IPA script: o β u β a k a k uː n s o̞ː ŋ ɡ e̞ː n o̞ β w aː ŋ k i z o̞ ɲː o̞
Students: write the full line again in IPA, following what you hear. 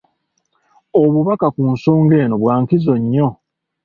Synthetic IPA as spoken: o β u β a k a k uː n s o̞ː ŋ ɡ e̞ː n o̞ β w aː ŋ k i z o̞ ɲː o̞